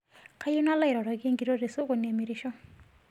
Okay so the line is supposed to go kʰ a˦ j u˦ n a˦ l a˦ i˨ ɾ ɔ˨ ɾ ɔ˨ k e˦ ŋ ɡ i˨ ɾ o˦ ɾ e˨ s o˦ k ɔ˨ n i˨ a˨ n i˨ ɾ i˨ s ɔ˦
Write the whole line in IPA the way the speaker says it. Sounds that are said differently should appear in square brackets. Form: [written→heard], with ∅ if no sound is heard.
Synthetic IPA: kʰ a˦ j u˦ n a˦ l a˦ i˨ ɾ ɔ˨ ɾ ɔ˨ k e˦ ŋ ɡ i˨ ɾ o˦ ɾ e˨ s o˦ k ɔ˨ n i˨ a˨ [n→m] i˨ ɾ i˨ [s→ʃ] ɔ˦